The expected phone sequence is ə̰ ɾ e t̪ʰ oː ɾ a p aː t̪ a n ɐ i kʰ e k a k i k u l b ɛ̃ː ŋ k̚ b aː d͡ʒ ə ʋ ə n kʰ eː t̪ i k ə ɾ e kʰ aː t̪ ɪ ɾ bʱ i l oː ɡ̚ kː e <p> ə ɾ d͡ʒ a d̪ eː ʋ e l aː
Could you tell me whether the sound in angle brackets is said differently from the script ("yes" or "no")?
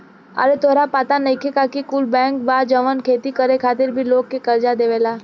yes